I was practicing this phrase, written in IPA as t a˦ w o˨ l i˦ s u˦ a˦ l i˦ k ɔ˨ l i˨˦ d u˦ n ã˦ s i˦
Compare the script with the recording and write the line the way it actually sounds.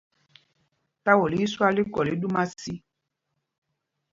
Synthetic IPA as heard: t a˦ w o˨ l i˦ s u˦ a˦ l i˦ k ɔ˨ l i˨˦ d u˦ m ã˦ s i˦